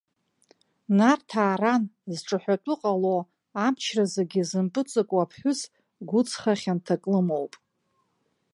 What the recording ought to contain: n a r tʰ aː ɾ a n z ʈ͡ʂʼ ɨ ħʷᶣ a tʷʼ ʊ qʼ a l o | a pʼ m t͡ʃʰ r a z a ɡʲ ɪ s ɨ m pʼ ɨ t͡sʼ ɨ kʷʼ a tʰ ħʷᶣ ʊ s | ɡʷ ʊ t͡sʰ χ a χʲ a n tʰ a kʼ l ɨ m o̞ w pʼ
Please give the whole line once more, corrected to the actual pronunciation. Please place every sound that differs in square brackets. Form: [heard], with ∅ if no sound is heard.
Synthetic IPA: n a r tʰ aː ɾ a n z ʈ͡ʂʼ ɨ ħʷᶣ a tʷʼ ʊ qʼ a l o | a [∅] m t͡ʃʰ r a z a ɡʲ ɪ [z] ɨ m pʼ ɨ t͡sʼ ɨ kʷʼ a [pʰ] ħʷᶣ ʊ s | ɡʷ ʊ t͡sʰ χ a χʲ a n tʰ a kʼ l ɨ m o̞ w pʼ